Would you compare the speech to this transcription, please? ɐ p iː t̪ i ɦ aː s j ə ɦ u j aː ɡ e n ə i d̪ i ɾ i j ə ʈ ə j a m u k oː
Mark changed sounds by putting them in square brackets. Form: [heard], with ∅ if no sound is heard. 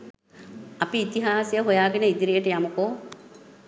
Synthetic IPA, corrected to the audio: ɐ p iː t̪ i ɦ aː s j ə ɦ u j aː ɡ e n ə i d̪ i ɾ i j ə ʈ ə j a m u k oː